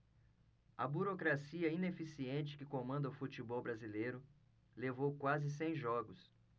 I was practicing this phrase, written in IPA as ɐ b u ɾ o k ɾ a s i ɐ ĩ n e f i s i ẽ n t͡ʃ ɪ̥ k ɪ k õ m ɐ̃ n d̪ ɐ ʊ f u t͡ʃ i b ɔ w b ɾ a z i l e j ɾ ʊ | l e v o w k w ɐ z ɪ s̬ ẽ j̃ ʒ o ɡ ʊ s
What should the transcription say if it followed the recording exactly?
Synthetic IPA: ɐ b u ɾ o k ɾ a s i ɐ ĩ n e f i s i ẽ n t͡ʃ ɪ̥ k ɪ k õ m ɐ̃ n d̪ ɐ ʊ f u t͡ʃ i b ɔ w b ɾ a z i l e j ɾ ʊ | l e v o w k w a z ɪ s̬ ẽ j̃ ʒ ɔ ɡ ʊ s